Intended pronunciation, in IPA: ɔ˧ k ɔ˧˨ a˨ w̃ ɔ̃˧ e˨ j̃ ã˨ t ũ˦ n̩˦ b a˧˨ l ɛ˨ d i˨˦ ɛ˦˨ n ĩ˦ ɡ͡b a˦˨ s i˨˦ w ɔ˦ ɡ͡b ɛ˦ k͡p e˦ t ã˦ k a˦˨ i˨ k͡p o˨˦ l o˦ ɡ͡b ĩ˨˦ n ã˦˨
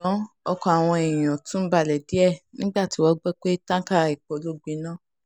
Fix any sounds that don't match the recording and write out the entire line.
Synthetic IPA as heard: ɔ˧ k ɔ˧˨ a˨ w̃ ɔ̃˧ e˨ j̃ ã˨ t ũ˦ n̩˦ b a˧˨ l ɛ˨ d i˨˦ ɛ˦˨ n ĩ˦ ɡ͡b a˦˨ t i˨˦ w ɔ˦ ɡ͡b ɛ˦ k͡p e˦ t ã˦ k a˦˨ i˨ k͡p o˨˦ l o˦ ɡ͡b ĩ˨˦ n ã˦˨